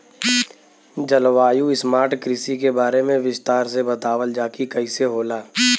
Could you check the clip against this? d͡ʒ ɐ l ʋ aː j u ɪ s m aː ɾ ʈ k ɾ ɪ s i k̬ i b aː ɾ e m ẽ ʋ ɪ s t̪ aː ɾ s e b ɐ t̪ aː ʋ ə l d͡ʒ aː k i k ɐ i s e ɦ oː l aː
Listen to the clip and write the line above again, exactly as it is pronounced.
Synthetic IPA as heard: d͡ʒ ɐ l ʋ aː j u ɪ s m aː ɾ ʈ k ɾ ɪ s i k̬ e b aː ɾ e m ẽ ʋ ɪ s t̪ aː ɾ s e b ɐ t̪ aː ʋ ə l d͡ʒ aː k i k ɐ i s e ɦ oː l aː